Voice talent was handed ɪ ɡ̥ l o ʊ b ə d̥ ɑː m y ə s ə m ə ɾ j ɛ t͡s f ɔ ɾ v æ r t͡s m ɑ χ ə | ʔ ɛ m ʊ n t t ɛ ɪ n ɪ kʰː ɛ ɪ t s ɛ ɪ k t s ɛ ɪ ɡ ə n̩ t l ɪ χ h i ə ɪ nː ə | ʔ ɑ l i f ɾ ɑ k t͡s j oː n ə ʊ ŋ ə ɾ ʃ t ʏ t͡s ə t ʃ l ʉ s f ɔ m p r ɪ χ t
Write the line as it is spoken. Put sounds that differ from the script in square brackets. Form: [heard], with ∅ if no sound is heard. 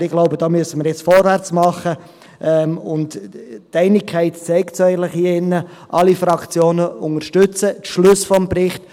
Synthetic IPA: ɪ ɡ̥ l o ʊ b ə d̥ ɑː m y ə s ə m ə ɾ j ɛ t͡s f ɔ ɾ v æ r t͡s m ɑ χ ə | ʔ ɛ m ʊ n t t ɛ ɪ n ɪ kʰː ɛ ɪ t [t͡s] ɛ ɪ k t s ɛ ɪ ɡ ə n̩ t l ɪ χ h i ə ɪ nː ə | ʔ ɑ l i f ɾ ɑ k t͡s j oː n ə ʊ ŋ ə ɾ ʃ t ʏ t͡s ə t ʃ l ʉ s f ɔ m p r ɪ χ t